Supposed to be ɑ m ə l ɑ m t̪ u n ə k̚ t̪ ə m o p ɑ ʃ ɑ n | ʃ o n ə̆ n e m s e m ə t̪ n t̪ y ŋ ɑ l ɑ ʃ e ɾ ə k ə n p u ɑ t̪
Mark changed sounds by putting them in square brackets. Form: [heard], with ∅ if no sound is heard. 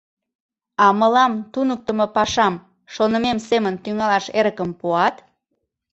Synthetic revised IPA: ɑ m ə l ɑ m t̪ u n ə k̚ t̪ ə m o p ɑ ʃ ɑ [m] | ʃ o n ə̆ [m] e m s e m ə [∅] n t̪ y ŋ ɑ l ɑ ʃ e ɾ ə k ə [m] p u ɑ t̪

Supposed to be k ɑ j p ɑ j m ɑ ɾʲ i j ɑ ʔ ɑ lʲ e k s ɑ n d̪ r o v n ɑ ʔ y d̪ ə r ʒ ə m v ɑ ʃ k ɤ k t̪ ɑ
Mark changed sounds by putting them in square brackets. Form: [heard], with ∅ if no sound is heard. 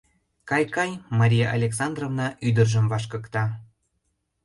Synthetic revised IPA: k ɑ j [k] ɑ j m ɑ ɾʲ i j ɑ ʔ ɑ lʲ e k s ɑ n d̪ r o v n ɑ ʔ y d̪ ə r ʒ ə m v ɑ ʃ k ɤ k t̪ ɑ

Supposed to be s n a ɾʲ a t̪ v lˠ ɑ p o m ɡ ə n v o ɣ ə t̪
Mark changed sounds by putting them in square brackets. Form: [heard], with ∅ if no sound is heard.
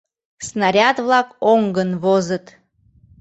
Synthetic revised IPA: s n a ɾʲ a t̪ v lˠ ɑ [k] o [ŋ] ɡ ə n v o [z] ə t̪

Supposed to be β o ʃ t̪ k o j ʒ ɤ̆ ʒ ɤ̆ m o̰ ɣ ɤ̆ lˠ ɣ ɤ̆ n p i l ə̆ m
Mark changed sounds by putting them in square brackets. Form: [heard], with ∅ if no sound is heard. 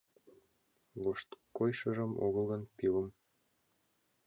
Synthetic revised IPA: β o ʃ t̪ k o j [ʃ] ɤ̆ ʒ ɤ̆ m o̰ ɣ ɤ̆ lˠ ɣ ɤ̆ n p i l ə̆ m

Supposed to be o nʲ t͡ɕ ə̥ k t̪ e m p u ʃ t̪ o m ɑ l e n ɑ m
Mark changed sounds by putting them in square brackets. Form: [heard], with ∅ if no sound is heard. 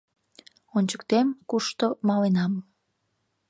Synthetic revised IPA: o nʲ t͡ɕ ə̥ k t̪ e m [k] u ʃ t̪ o m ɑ l e n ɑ m

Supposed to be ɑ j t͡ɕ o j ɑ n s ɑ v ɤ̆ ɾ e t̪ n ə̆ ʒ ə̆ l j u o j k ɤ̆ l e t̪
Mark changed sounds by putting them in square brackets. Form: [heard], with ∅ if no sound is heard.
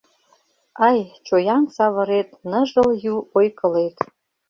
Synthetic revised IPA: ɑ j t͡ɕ o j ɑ n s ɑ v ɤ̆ ɾ e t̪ n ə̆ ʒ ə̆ l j u o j k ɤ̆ l e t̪

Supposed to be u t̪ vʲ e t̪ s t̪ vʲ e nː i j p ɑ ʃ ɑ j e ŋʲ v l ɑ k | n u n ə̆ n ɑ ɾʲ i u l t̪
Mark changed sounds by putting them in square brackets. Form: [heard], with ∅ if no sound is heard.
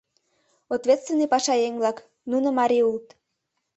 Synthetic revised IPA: [o] t̪ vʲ e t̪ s t̪ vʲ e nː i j p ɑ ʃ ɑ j e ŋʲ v l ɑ k | n u n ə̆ [m] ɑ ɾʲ i u l t̪

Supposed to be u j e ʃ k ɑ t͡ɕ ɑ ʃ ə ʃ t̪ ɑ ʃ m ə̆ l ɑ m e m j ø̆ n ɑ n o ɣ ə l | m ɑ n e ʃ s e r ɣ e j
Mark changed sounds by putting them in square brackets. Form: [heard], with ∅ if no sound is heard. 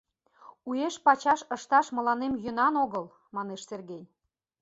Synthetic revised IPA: u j e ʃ [p] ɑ t͡ɕ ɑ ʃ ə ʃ t̪ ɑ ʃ m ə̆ l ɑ [n] e m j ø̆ n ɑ n o ɣ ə l | m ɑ n e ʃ s e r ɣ e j

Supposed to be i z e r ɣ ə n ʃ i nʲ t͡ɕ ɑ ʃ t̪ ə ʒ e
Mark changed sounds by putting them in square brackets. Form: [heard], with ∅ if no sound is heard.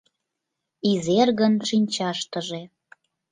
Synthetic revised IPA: i z e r ɣ ə n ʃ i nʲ t͡ɕ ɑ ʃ t̪ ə ʒ e

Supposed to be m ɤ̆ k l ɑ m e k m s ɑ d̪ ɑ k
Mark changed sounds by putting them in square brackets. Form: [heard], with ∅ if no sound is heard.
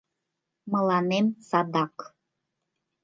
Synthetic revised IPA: m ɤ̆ [∅] l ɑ [n] e [∅] m s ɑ d̪ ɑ k

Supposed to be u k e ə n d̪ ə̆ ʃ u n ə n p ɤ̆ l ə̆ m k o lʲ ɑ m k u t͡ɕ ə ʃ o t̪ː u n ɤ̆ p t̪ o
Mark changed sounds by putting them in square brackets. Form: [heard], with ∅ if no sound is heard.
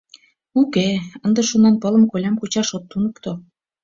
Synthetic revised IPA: u k e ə n d̪ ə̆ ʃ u n [ɑ] n p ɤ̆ l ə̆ m k o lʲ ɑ m k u t͡ɕ [ɑ] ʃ o t̪ː u n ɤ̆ [k] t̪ o

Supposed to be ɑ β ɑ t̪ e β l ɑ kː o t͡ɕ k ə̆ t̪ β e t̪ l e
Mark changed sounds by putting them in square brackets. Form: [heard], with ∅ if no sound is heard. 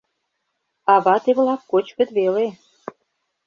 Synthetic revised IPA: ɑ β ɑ t̪ e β l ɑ kː o t͡ɕ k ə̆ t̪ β e [∅] l e

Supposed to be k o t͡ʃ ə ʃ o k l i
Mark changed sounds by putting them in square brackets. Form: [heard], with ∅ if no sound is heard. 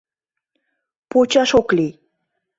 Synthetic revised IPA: [p] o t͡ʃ [a] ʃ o k l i

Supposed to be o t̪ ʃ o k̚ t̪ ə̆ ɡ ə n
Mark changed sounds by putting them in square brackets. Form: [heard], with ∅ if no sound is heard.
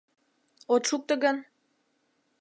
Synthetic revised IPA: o t̪ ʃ [u] k̚ t̪ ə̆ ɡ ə n

